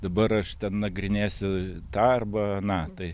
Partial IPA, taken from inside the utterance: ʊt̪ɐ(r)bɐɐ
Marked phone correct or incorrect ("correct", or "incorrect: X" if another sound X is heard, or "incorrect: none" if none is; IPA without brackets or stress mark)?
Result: correct